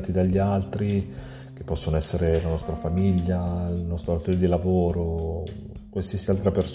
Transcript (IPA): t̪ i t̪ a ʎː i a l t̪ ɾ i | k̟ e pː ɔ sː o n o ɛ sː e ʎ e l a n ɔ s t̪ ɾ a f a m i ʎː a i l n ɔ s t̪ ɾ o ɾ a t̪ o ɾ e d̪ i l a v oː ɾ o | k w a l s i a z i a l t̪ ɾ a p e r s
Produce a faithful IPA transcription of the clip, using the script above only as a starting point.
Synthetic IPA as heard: t̪ i d̪ a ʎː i a l t̪ ɾ i | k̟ e pː ɔ sː o n o ɛ sː e ɾ e l a n ɔ s t̪ ɾ a f a m i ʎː a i l n ɔ s t̪ ɾ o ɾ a t̪ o ɾ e d̪ i l a v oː ɾ o | k w a l s i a s i a l t̪ ɾ a p e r s